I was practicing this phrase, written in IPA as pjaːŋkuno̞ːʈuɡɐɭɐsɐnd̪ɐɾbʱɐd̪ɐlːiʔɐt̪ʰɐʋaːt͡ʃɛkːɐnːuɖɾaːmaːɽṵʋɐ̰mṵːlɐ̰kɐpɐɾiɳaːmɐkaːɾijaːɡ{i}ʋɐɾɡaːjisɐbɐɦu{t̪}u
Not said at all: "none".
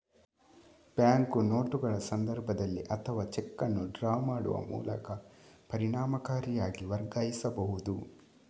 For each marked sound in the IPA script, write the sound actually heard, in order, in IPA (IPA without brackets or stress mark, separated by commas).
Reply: i, d̪